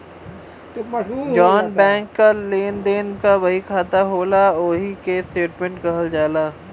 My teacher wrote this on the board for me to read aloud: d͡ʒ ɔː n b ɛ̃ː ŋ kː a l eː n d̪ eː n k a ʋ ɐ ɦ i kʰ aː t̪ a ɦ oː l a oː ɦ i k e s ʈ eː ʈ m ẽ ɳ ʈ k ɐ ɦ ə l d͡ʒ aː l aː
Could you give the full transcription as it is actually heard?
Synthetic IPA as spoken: d͡ʒ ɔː n b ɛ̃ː ŋ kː a l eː n d̪ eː n k a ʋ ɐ ɦ i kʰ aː t̪ a ɦ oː l a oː ɦ i k e s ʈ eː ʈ m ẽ ɳ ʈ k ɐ ɦ ə l d͡ʒ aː l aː